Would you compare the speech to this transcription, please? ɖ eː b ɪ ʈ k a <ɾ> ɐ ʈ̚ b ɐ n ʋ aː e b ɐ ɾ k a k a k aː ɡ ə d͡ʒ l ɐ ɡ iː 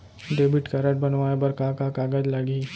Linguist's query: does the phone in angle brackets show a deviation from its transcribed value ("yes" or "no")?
no